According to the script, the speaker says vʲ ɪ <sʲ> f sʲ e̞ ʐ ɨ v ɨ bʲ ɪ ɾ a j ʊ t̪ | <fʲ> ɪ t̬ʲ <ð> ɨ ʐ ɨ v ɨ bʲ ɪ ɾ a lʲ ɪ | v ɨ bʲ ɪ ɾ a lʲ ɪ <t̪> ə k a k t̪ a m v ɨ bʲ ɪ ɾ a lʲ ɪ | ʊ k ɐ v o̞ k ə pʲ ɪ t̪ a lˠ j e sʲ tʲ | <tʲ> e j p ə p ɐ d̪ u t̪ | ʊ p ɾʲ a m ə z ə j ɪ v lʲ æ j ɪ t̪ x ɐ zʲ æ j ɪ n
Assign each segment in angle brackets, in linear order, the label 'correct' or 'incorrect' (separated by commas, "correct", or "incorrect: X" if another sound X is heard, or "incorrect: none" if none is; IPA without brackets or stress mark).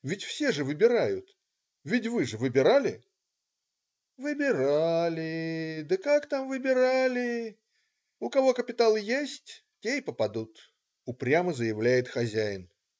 incorrect: tʲ, incorrect: vʲ, incorrect: v, incorrect: d̪, correct